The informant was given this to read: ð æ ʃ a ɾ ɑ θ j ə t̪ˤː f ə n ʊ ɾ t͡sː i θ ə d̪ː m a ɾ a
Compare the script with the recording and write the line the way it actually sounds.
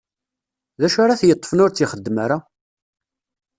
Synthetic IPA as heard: ð æ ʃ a ɾ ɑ θ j ə t̪ˤː f ə n ʊ ɾ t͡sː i χ ə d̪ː m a ɾ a

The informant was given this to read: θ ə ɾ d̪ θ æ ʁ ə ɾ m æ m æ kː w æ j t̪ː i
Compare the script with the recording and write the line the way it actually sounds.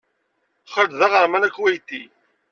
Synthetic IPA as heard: χ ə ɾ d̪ ð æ ʁ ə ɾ m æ n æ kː w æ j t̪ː i

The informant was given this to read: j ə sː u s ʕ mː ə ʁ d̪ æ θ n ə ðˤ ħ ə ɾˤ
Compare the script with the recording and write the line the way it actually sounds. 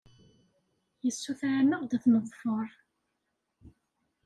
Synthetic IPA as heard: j ə sː u θ ʕ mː ə ʁ d̪ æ θ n ə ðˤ f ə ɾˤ

